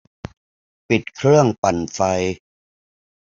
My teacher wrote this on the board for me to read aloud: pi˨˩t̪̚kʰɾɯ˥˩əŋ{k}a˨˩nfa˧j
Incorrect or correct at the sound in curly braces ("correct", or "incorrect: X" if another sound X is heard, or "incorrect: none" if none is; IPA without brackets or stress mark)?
incorrect: p